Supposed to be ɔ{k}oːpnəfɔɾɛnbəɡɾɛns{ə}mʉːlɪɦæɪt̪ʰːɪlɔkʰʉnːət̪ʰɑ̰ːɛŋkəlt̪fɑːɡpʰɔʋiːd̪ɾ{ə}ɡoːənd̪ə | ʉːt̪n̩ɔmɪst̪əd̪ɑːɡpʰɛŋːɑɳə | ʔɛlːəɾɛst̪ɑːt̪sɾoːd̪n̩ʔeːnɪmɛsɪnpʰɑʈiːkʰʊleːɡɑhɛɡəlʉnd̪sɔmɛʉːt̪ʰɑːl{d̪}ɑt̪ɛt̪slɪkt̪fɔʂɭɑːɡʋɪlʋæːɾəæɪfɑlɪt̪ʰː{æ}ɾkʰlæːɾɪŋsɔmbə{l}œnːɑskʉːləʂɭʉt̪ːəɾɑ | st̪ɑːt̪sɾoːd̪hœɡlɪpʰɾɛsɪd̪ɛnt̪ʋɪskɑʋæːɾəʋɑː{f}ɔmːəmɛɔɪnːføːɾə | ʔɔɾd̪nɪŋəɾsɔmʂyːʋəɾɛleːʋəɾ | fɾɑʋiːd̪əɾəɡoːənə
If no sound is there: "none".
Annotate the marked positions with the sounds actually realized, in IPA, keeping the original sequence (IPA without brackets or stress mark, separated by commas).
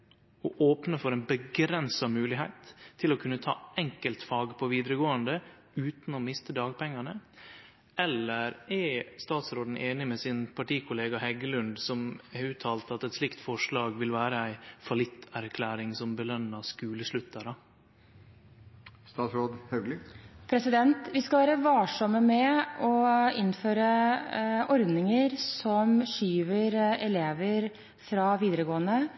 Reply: ʔ, ɑ, ə, t̪, æ, l, ʂ